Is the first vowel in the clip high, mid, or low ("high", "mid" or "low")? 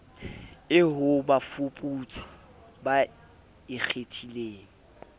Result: high